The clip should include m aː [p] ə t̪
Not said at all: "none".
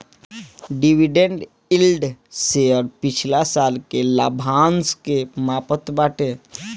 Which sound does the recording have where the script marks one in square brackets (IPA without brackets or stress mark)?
p